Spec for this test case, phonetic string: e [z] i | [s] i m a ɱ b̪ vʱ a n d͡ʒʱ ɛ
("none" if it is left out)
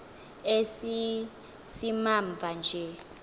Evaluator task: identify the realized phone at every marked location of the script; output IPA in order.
s, s

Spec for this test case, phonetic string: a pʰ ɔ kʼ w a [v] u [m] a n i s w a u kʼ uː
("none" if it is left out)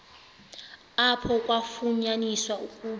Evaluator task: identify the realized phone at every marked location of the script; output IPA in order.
f, ɲ

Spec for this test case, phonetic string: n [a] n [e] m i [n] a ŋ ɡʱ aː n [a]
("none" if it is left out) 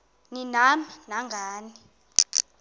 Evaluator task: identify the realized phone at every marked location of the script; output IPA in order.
i, a, n, i

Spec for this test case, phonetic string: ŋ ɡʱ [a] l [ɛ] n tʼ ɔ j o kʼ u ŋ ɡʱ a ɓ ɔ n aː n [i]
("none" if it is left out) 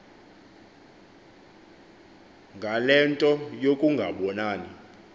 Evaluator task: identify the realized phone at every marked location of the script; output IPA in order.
a, ɛ, i

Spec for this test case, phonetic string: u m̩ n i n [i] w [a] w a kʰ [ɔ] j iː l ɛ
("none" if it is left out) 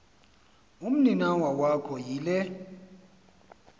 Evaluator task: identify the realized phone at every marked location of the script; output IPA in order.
a, a, ɔ

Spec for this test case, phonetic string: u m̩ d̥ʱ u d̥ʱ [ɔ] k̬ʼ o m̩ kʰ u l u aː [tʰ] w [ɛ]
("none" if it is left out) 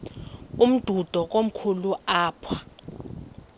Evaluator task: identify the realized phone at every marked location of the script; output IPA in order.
ɔ, pʰ, a

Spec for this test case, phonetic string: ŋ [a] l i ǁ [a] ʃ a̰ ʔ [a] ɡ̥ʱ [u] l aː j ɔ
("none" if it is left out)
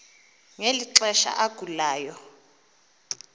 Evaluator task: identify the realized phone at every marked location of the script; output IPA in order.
e, ɛ, a, u

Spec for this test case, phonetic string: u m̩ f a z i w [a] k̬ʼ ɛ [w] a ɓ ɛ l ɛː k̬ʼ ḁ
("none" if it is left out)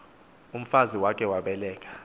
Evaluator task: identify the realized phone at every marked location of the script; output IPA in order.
a, w

